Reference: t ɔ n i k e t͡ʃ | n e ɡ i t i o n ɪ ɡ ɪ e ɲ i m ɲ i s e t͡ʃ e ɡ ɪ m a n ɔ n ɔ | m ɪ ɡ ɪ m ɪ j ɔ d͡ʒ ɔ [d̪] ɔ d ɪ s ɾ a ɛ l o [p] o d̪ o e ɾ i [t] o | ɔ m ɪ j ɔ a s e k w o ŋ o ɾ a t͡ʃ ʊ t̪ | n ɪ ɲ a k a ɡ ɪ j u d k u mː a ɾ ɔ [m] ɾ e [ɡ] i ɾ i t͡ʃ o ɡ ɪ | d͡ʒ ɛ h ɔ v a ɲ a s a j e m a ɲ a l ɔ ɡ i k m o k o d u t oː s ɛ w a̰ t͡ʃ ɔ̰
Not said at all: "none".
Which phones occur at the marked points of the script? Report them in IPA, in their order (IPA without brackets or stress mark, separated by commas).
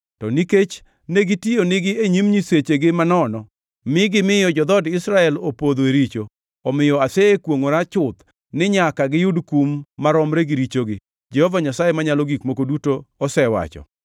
d̪, p, t͡ʃ, m, ɡ